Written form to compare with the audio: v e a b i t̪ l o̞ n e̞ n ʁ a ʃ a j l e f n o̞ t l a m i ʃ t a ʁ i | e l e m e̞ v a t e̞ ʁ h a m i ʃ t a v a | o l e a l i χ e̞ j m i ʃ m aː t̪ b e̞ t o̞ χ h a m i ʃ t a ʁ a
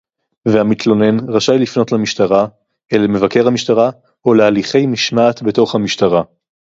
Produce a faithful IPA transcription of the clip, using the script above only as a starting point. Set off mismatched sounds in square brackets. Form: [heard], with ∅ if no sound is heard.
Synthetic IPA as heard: v e a [m] i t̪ l o̞ n e̞ n ʁ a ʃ a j l [i] f n o̞ t l a m i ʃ t a ʁ [a] | e l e m e̞ v a [k] e̞ ʁ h a m i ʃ t a [ʁ] a | o l e a l i χ e̞ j m i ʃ m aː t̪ b e̞ t o̞ χ h a m i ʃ t a ʁ a